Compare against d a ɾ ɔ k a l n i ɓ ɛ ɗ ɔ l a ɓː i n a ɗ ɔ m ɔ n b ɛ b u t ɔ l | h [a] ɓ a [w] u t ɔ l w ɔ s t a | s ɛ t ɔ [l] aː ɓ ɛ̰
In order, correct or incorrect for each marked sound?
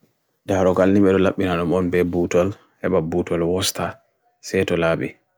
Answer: incorrect: ɛ, incorrect: b, correct

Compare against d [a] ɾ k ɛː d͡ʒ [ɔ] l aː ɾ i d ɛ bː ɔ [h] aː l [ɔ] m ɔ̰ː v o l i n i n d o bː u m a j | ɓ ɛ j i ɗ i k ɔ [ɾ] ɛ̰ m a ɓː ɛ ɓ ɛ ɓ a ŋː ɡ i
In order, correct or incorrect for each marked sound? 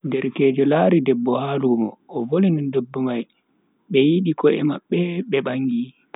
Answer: incorrect: ɛ, correct, correct, incorrect: u, incorrect: none

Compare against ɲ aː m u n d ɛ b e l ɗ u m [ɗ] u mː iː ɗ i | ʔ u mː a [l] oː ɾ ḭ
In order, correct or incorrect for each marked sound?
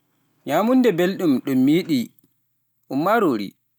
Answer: correct, incorrect: ɾ

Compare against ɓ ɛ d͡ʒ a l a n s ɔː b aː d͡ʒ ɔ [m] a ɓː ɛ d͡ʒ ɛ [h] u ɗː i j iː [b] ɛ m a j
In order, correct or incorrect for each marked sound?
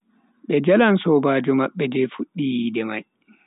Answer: correct, incorrect: f, incorrect: d

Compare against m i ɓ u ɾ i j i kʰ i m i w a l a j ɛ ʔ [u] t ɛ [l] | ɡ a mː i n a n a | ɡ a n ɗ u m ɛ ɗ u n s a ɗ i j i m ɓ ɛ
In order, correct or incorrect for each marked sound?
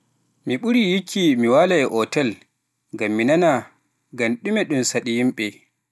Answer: incorrect: ɔ, correct

